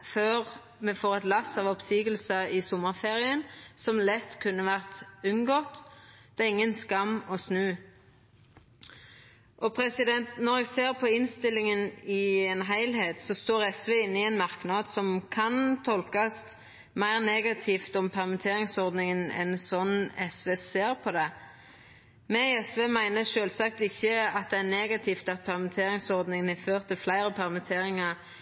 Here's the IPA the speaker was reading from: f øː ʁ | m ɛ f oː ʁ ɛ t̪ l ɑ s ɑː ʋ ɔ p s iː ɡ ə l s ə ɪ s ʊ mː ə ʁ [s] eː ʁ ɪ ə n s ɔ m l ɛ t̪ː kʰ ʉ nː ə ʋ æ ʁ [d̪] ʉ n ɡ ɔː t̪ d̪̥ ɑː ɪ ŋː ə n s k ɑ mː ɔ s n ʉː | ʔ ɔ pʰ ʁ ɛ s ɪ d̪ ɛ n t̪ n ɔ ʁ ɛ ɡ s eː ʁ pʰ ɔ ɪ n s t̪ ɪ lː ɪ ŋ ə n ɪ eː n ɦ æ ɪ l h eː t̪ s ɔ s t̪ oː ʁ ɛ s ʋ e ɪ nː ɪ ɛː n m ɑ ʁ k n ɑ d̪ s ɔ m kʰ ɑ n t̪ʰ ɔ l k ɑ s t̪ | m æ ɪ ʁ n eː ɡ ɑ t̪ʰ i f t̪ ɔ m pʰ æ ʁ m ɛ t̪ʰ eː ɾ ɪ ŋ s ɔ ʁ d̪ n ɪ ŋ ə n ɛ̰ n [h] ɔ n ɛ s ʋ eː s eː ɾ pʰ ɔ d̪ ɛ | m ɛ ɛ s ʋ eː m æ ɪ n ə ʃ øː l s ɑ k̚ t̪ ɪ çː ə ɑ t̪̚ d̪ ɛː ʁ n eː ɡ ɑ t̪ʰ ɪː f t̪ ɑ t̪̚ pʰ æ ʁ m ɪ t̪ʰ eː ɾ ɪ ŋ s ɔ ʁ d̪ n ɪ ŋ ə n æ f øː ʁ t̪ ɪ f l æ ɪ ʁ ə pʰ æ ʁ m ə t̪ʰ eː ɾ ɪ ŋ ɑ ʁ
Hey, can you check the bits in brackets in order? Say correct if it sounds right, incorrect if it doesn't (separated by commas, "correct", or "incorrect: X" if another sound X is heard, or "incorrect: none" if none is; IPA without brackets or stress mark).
incorrect: f, incorrect: t̪, incorrect: s